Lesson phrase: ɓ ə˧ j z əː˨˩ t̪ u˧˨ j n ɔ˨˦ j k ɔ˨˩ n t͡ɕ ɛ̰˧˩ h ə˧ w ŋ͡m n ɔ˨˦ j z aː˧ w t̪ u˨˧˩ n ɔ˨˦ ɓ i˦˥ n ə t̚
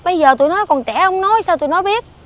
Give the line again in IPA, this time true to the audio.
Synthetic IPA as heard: ɓ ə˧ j z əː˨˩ t̪ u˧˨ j n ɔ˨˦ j k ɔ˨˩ n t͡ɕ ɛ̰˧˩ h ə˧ w ŋ͡m n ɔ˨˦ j s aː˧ w t̪ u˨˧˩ n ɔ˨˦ ɓ i˦˥ ə t̚